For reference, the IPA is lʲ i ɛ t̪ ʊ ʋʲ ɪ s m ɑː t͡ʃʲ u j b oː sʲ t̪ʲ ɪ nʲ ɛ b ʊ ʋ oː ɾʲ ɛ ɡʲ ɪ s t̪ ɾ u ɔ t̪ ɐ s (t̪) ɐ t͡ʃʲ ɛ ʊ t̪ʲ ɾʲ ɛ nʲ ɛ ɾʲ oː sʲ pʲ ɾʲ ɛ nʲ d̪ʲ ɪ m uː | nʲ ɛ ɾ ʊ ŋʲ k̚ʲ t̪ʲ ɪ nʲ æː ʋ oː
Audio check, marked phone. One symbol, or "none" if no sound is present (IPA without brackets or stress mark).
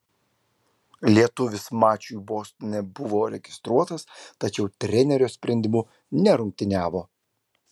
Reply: t̪